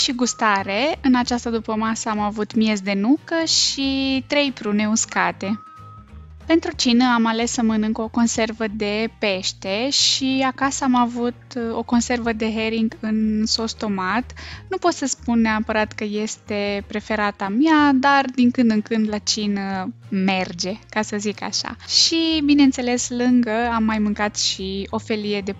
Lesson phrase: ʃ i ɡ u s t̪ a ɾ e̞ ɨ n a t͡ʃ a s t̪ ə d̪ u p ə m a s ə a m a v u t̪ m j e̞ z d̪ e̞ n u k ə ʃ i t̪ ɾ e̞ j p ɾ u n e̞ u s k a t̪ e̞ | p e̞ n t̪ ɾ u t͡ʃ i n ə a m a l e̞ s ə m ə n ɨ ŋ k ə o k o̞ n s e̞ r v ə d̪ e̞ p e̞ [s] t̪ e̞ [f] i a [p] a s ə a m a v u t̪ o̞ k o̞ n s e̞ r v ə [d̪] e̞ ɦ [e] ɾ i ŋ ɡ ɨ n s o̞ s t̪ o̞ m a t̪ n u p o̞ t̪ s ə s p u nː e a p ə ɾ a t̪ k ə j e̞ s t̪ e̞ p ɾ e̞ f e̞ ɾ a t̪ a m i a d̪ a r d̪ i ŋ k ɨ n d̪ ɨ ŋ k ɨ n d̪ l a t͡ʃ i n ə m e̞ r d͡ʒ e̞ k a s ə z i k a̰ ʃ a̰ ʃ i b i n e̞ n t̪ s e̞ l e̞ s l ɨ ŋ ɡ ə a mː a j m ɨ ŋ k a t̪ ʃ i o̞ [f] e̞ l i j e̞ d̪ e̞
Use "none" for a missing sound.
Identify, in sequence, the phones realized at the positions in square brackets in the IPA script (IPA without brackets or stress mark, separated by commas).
ʃ, ʃ, k, d̪, e, f